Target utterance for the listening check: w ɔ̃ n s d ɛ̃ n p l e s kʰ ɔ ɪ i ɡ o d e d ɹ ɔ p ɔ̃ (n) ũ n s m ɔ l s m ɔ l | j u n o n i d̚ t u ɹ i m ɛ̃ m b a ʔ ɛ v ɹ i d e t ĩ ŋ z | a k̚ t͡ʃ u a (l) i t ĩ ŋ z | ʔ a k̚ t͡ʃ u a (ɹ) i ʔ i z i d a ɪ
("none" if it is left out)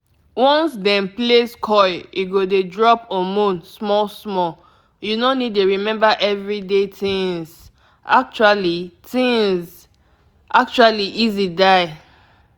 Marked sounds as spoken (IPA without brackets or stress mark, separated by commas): m, l, l